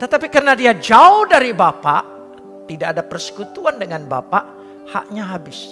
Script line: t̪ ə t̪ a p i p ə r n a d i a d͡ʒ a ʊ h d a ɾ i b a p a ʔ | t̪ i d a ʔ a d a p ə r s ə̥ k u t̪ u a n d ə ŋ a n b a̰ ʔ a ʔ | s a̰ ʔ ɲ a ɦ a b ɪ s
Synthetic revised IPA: t̪ ə t̪ a p i k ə r n a d i a d͡ʒ a ʊ h d a ɾ i b a p a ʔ | t̪ i d a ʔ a d a p ə r s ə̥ k u t̪ u a n d ə ŋ a n b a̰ p a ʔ | h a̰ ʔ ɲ a ɦ a b ɪ s